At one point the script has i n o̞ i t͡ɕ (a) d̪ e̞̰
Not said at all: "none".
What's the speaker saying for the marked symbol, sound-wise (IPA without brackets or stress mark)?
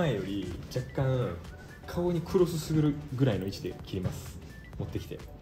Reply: i